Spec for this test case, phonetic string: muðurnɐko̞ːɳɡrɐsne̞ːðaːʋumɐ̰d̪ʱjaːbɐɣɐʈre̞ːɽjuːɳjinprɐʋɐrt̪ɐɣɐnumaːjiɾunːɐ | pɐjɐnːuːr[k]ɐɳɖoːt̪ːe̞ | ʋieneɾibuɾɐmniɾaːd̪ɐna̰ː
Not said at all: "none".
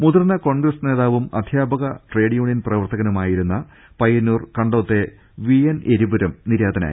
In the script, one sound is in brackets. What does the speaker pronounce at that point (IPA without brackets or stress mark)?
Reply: k